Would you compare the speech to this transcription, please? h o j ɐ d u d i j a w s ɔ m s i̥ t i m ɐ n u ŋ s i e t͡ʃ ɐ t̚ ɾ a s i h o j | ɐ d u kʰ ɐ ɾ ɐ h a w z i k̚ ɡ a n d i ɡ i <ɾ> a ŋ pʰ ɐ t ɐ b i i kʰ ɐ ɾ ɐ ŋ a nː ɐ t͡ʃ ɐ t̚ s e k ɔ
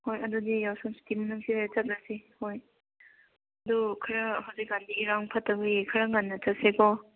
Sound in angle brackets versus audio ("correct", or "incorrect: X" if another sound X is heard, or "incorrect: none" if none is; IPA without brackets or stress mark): correct